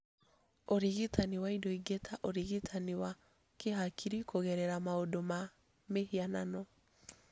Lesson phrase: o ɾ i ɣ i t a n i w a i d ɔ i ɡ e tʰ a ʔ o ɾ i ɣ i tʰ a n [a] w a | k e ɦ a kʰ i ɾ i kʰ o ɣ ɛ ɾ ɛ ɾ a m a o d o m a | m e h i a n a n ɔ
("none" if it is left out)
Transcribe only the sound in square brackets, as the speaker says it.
i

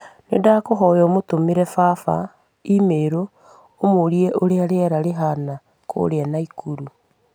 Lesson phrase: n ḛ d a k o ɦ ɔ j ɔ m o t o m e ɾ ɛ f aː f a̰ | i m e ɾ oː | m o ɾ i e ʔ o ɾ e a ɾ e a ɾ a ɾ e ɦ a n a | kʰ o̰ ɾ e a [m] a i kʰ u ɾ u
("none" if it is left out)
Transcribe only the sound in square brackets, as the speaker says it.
n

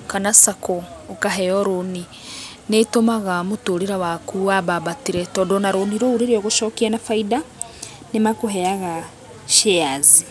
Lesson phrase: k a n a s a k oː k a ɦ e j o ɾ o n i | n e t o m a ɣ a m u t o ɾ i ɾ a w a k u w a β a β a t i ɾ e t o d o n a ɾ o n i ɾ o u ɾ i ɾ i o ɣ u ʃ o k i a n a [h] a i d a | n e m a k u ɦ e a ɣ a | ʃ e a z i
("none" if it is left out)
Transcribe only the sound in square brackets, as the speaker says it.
f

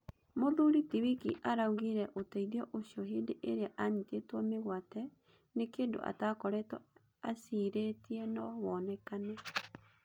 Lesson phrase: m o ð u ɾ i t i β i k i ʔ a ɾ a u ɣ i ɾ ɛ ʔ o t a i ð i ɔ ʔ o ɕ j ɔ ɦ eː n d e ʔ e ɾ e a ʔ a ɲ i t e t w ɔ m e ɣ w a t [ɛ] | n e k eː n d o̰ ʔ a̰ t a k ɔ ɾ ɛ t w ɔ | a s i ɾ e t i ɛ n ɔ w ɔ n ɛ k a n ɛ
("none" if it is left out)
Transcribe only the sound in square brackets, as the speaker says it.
ɛ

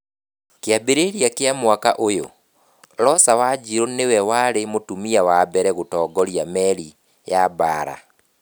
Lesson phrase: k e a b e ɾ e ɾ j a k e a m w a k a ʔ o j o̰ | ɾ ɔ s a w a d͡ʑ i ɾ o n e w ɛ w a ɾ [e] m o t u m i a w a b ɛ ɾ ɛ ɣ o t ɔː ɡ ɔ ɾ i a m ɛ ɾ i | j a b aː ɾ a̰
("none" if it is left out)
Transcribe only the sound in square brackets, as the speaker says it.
e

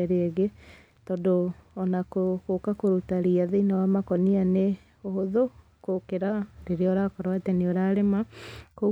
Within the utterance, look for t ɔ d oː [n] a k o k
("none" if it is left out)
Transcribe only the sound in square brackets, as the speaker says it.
n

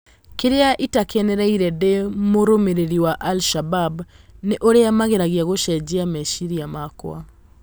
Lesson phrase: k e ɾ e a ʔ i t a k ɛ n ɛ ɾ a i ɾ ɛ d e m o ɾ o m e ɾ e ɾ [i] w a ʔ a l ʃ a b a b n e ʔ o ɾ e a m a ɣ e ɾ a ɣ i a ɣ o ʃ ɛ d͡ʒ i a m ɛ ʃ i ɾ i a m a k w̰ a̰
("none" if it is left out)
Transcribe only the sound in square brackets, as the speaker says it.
i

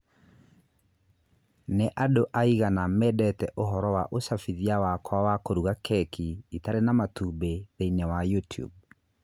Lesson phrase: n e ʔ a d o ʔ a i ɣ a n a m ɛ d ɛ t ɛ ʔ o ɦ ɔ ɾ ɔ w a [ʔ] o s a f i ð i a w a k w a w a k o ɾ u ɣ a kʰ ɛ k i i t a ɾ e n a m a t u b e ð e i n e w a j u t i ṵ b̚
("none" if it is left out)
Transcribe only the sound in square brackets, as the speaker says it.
ʔ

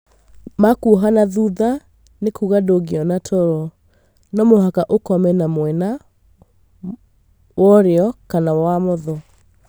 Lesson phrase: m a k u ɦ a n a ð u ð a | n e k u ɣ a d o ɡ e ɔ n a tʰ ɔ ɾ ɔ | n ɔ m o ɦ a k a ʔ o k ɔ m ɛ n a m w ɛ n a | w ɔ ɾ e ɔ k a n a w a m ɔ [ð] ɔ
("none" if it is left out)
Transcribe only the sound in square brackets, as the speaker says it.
ð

